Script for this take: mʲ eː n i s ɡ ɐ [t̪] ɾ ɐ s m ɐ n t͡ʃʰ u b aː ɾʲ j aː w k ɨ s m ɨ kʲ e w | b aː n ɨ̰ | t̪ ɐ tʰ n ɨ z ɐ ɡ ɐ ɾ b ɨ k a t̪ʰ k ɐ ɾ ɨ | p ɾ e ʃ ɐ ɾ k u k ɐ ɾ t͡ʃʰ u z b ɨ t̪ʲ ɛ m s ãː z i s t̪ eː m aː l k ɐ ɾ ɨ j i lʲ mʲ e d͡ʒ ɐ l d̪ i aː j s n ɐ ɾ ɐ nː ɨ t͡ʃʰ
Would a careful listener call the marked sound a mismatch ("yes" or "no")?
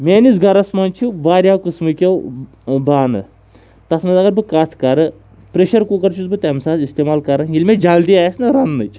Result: yes